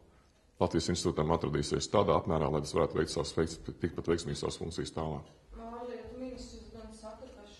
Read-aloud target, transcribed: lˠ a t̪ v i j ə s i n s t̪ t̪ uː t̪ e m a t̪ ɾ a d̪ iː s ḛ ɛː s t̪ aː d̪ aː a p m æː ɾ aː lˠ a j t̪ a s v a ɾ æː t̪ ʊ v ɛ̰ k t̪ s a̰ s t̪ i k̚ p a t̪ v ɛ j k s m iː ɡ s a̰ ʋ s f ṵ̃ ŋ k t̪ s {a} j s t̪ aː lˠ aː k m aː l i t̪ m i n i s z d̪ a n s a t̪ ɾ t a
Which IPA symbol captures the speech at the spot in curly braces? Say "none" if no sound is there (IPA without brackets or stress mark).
i